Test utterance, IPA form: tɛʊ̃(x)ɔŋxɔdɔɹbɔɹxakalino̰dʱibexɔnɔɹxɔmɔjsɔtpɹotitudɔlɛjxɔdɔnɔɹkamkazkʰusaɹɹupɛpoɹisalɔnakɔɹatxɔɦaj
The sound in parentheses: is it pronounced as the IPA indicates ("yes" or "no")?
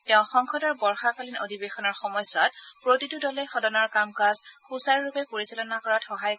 yes